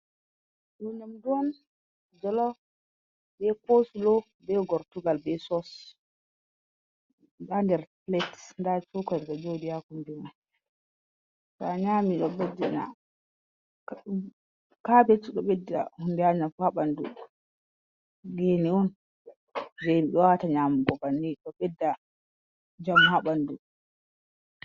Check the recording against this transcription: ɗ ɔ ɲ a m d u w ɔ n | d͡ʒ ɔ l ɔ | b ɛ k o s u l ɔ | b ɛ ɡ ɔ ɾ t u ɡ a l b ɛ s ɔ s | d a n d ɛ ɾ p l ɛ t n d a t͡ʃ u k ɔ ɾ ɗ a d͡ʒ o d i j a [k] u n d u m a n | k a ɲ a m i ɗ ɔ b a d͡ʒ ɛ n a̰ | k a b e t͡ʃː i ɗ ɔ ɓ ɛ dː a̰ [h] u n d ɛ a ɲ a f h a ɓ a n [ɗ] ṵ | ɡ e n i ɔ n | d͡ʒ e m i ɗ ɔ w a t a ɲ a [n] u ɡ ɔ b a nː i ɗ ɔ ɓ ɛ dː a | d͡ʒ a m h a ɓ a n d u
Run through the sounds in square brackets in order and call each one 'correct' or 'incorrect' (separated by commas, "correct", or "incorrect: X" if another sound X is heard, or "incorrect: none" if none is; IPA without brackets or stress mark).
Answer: correct, correct, incorrect: d, incorrect: m